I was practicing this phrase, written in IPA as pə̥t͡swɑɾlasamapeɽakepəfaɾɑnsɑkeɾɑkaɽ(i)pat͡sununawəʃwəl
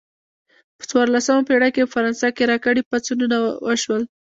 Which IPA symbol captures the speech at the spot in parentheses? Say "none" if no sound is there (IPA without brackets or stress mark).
i